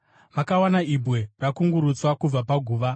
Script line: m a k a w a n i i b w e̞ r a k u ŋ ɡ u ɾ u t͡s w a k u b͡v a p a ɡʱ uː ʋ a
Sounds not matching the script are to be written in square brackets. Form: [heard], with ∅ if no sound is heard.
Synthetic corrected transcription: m a k a w a n [a] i b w e̞ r a k u ŋ ɡ u ɾ u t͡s w a k u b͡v a p a ɡʱ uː ʋ a